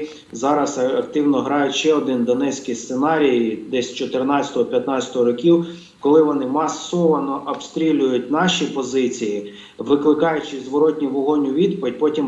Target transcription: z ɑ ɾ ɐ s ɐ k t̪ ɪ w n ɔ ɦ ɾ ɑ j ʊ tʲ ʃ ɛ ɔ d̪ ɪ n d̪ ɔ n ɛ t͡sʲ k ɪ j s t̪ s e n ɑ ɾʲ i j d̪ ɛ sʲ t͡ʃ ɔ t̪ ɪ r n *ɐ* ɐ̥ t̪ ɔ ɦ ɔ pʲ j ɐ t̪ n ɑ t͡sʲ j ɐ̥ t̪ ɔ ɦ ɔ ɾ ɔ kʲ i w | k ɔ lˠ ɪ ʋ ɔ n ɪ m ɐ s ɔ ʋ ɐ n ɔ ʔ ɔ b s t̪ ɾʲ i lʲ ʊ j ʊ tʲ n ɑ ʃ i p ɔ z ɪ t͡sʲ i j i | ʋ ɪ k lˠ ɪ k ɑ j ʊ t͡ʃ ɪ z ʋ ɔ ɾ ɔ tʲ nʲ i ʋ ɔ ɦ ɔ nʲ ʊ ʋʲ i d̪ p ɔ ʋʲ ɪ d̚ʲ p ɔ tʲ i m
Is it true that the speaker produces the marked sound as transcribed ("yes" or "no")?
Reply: no